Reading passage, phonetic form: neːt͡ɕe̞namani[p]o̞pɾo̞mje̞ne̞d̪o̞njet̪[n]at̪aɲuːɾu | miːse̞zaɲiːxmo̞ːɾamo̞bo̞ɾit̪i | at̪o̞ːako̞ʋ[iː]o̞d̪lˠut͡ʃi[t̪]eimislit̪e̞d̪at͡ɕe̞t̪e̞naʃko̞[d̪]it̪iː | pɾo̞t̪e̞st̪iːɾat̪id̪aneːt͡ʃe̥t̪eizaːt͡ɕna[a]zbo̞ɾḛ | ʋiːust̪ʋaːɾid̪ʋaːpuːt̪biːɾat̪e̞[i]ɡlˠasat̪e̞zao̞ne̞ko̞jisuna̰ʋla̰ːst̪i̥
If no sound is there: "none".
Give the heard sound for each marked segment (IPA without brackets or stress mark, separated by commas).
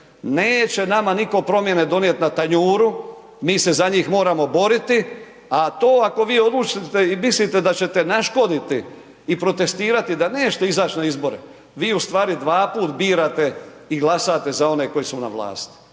k, n, iː, t̪, d̪, i, i